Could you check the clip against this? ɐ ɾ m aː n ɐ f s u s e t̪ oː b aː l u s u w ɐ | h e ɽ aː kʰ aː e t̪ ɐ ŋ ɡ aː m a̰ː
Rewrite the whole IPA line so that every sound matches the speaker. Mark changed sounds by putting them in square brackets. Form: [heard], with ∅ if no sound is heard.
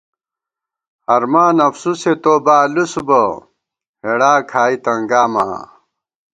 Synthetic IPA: ɐ ɾ m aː n ɐ f s u s e t̪ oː b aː l u s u [b] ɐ | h e ɽ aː kʰ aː [i] t̪ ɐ ŋ ɡ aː m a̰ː